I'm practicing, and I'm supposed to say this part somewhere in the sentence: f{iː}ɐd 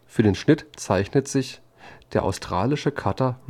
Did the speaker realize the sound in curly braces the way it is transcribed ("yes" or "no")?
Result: no